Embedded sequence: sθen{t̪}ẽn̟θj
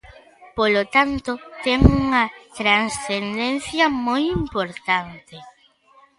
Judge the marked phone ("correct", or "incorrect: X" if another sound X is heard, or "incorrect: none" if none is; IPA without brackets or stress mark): incorrect: d̪